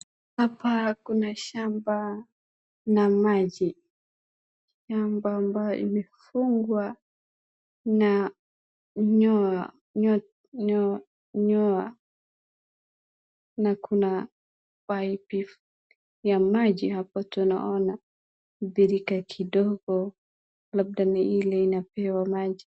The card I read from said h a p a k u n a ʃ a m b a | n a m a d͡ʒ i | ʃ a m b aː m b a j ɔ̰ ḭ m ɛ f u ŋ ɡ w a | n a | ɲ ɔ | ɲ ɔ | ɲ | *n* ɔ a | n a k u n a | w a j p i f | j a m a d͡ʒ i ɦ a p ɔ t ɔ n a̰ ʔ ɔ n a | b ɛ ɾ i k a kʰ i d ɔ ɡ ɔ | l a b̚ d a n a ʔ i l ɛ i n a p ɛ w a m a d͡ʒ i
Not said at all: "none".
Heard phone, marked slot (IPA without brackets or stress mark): ɲ